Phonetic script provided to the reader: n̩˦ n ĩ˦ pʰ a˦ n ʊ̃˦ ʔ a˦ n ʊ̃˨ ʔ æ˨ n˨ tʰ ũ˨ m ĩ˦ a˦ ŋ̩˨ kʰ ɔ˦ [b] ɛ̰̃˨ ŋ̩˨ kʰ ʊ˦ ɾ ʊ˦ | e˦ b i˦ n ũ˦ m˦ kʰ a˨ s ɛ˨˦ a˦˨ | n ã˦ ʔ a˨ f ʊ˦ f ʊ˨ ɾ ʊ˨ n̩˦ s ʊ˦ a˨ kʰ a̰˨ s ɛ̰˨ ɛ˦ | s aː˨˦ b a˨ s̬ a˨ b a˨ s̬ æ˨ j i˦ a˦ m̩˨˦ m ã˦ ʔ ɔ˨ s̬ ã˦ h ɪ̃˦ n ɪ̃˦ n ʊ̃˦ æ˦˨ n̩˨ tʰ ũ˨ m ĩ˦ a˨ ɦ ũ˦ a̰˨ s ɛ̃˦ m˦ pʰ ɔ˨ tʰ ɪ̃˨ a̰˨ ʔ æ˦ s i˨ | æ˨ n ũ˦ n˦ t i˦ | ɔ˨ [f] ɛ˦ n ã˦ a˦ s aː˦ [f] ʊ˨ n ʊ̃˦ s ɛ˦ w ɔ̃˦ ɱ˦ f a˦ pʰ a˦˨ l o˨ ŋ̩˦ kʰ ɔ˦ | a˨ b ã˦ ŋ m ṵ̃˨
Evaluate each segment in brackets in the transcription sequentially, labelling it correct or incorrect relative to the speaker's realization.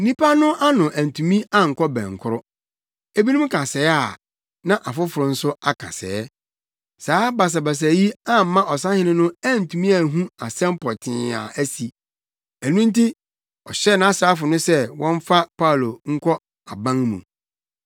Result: correct, incorrect: ɕ, correct

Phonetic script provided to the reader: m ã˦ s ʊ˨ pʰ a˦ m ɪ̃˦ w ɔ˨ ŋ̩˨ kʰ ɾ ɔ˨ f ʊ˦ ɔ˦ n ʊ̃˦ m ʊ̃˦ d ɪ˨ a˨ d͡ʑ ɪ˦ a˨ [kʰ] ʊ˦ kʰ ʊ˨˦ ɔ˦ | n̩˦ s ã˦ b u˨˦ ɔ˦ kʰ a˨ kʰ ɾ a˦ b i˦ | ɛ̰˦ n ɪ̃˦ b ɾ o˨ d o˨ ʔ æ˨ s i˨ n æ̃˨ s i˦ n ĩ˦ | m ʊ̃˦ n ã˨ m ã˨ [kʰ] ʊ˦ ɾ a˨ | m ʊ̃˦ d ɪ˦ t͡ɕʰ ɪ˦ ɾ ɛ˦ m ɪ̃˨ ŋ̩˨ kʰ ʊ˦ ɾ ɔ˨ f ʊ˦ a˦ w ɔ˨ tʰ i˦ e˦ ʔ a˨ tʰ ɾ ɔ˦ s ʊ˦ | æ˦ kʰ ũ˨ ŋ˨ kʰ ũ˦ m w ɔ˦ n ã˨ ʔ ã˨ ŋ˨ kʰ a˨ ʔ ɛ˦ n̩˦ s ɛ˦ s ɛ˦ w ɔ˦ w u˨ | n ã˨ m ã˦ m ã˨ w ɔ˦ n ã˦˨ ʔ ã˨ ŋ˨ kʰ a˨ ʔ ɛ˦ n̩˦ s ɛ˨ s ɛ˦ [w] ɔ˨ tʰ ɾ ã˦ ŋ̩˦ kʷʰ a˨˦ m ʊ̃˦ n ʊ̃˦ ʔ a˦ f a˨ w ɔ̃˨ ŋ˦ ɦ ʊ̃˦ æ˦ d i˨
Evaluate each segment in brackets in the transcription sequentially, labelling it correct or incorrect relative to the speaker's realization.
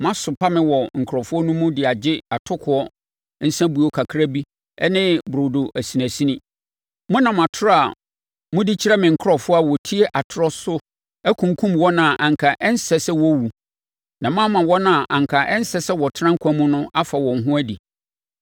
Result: incorrect: tʰ, incorrect: tʰ, correct

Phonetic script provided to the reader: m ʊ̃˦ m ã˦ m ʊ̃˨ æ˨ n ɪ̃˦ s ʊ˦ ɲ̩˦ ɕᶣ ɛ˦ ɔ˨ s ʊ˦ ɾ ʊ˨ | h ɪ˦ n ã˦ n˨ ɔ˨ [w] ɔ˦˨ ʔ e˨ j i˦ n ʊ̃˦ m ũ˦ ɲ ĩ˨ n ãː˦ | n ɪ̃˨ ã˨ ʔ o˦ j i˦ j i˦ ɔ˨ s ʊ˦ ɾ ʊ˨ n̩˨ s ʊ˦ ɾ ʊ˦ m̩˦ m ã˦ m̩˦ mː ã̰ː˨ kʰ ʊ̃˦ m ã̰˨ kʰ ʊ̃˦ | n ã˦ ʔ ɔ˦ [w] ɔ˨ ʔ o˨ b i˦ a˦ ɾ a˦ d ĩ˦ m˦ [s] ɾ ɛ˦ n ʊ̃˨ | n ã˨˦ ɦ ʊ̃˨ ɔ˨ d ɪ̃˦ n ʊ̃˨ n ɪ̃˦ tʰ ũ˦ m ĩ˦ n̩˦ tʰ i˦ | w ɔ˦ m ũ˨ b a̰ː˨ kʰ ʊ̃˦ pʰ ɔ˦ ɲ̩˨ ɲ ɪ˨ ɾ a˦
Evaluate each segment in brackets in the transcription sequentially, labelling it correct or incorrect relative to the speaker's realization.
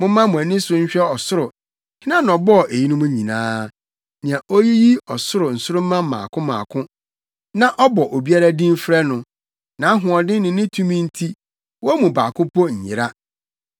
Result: incorrect: b, incorrect: b, incorrect: f

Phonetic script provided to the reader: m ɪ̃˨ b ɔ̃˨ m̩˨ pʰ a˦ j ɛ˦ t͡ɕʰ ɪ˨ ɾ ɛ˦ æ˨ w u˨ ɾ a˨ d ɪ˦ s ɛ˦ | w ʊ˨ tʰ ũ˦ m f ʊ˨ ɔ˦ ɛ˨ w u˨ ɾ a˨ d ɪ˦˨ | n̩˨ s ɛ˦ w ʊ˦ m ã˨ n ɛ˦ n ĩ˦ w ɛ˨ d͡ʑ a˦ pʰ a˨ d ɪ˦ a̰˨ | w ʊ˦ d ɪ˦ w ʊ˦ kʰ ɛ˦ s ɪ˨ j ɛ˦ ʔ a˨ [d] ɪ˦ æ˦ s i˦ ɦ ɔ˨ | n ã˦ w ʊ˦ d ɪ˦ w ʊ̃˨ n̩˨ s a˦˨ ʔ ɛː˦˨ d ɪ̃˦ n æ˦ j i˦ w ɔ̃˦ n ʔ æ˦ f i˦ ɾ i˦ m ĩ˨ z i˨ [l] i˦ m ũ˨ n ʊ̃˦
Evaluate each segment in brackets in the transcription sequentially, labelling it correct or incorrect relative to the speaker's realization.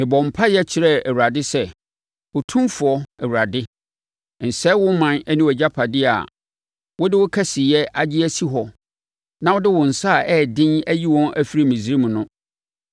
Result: incorrect: d͡ʑ, incorrect: ɾ

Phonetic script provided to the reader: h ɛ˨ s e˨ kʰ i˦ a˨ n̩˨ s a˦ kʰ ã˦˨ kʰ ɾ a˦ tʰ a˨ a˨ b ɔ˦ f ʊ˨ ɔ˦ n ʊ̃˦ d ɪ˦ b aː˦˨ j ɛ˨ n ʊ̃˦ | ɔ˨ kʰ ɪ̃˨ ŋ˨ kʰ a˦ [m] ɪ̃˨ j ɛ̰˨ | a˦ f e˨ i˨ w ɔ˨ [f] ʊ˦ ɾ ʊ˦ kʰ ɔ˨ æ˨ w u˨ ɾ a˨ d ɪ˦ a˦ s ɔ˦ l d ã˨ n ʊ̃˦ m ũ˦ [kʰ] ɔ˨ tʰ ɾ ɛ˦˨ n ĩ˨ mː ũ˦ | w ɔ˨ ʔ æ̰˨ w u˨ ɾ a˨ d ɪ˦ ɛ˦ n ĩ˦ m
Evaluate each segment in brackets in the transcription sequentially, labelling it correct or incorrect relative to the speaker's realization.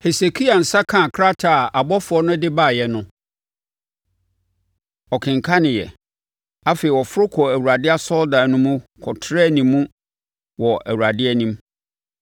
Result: incorrect: n, correct, correct

